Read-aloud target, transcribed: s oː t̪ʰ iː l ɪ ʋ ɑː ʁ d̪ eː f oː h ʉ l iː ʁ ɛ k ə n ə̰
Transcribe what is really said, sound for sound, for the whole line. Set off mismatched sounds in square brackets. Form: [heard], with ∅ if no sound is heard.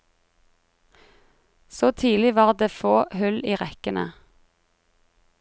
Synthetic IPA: s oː t̪ʰ iː l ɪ ʋ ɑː ʁ d̪ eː f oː h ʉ l iː ʁ ɛ k ə n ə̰